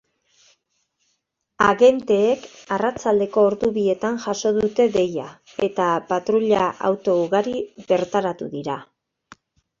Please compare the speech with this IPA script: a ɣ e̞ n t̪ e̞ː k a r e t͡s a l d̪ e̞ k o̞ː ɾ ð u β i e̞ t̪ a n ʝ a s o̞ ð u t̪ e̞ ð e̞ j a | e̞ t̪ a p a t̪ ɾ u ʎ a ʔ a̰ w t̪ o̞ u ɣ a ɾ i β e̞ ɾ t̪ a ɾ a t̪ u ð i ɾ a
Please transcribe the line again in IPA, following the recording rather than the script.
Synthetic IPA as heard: a ɣ e̞ n t̪ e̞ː k a r a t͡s a l d̪ e̞ k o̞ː ɾ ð u β i e̞ t̪ a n ʝ a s o̞ ð u t̪ e̞ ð e̞ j a | e̞ t̪ a p a t̪ ɾ u ʎ a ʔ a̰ w t̪ o̞ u ɣ a ɾ i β e̞ ɾ t̪ a ɾ a t̪ u ð i ɾ a